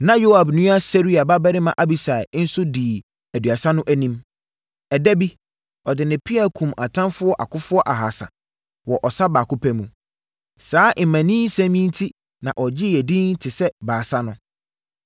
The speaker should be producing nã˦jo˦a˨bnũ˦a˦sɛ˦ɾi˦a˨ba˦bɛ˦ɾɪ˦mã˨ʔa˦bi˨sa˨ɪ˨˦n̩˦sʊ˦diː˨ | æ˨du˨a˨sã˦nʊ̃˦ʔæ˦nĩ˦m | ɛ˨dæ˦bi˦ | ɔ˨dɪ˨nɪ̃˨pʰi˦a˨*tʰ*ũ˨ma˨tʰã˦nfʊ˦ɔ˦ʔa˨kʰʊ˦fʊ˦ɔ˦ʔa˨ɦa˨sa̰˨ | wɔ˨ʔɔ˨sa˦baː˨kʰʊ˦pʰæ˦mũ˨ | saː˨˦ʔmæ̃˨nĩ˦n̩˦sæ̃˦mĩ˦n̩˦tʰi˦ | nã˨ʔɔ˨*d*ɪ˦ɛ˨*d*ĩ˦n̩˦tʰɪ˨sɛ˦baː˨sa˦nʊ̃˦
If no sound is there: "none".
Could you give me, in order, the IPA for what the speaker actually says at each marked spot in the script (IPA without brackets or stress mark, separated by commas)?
kʰ, d͡ʑ, d